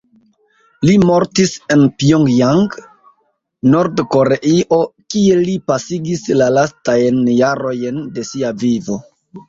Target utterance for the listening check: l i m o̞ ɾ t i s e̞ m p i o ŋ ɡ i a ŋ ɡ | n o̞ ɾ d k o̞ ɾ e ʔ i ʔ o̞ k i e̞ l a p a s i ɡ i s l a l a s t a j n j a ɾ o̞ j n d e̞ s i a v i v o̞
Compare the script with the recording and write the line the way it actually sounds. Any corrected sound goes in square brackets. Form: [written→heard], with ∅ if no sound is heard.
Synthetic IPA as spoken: l i m o̞ ɾ t i s e̞ [m→n] p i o ŋ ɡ [i→j] a ŋ ɡ | n o̞ ɾ d k o̞ ɾ e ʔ i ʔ o̞ k i e̞ l [a→i] p a s i ɡ i s l a l a s t a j n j a ɾ o̞ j n d e̞ s i a v i v o̞